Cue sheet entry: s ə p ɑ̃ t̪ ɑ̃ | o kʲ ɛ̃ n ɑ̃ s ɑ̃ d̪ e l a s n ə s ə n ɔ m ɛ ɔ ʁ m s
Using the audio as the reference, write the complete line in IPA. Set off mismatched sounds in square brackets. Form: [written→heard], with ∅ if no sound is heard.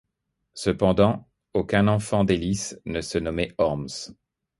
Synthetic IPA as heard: s ə p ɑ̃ [t̪→d̪] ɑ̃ | o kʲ ɛ̃ n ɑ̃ [s→f] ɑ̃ d̪ e l [a→i] s n ə s ə n ɔ m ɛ ɔ ʁ m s